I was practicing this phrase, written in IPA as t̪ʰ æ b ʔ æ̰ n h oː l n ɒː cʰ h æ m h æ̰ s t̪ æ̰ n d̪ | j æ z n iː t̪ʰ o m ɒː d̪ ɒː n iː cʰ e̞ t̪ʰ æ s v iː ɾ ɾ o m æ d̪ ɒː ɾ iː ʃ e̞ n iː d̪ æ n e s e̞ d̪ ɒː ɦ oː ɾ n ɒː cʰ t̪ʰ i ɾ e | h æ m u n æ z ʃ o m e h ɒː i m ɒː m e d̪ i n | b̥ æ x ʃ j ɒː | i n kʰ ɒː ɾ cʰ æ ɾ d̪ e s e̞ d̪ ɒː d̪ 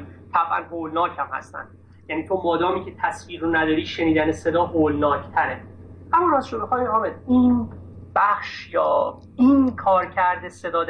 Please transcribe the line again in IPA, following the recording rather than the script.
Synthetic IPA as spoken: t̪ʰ æ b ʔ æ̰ n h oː l n ɒː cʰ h æ m h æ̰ s t̪ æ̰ n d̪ | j æ n iː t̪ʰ o m ɒː d̪ ɒː m iː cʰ e̞ t̪ʰ æ s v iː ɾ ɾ o n æ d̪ ɒː ɾ iː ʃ e̞ n iː d̪ æ n e s e̞ d̪ ɒː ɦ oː l n ɒː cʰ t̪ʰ æ ɾ e | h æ m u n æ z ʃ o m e x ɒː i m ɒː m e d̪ i n | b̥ æ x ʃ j ɒː | i n kʰ ɒː ɾ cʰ æ ɾ d̪ e s e̞ d̪ ɒː d̪